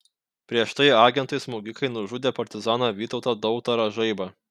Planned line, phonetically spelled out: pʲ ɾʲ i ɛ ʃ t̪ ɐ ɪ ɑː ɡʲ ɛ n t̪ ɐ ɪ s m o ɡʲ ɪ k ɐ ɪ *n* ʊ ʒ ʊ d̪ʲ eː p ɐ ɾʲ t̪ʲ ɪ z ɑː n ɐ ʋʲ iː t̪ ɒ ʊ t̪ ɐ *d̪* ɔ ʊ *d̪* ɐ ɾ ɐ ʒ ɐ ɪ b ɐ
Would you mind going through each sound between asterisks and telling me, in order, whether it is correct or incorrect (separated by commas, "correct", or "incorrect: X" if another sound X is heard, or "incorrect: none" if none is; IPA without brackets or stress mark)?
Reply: correct, correct, incorrect: t̪